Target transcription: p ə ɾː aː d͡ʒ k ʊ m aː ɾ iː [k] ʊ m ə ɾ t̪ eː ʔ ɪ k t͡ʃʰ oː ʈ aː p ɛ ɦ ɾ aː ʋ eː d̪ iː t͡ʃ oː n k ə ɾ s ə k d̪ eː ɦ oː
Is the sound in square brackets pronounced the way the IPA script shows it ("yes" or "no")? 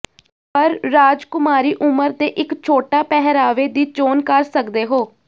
no